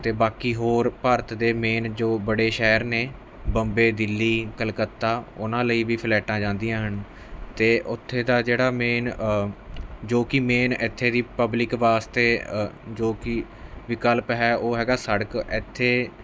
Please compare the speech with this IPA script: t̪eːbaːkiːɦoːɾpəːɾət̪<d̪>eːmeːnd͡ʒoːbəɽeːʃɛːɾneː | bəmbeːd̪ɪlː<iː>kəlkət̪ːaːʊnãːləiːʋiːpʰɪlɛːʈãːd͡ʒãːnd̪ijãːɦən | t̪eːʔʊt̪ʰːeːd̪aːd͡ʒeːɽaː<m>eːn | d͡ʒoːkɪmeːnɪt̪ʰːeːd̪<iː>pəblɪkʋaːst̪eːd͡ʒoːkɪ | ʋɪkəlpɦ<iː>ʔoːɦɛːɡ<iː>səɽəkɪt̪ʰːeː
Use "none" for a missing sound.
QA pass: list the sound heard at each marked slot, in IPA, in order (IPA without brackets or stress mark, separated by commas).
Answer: d̪, iː, m, iː, ɛː, aː